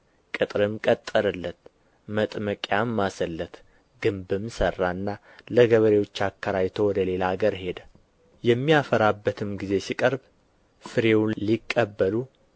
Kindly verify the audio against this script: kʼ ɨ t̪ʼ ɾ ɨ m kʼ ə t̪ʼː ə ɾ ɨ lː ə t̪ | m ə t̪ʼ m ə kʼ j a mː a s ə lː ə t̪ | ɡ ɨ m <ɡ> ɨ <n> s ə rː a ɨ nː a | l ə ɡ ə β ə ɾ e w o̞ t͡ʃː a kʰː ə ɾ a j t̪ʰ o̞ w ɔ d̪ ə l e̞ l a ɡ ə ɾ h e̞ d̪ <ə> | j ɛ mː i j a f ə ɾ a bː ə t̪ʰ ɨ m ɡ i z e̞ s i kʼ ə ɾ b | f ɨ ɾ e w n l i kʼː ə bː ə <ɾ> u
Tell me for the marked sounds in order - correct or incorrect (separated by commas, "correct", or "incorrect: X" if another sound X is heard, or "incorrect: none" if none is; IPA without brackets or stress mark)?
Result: incorrect: b, incorrect: m, correct, incorrect: l